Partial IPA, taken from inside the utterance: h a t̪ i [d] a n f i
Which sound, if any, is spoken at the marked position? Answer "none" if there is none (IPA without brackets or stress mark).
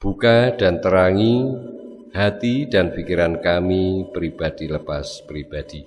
d